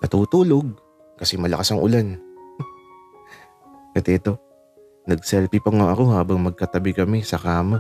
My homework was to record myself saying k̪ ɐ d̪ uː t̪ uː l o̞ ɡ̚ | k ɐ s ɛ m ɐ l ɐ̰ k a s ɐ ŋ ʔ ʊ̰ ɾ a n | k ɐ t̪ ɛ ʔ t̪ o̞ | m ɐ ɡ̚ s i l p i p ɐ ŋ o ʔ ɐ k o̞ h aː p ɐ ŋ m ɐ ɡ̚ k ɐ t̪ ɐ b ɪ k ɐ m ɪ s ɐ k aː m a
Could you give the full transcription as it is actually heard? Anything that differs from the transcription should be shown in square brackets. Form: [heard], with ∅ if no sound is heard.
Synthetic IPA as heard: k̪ ɐ [t̪] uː t̪ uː l o̞ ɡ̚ | k ɐ s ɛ m ɐ l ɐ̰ k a s ɐ ŋ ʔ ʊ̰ [l] a n | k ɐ t̪ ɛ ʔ t̪ o̞ | [n] ɐ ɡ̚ s [ɛ] l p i p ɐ ŋ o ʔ ɐ k o̞ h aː [b] ɐ ŋ m ɐ ɡ̚ k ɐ t̪ ɐ b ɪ k ɐ m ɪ s ɐ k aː m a